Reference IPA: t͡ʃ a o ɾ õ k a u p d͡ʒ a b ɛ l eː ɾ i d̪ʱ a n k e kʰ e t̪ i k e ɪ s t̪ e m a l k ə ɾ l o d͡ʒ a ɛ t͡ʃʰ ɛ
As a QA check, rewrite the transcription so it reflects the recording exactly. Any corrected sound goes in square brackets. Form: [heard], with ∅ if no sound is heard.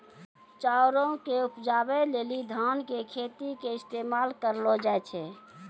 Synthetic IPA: t͡ʃ a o ɾ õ k [e] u p d͡ʒ a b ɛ l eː [l] i d̪ʱ a n k e kʰ e t̪ i k e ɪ s t̪ e m a l k ə ɾ l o d͡ʒ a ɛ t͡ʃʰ ɛ